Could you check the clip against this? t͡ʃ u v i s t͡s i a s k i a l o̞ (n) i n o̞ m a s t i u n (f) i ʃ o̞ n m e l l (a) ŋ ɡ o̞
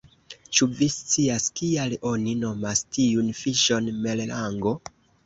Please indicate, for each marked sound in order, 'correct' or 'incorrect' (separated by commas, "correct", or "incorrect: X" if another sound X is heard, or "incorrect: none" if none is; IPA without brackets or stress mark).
correct, correct, correct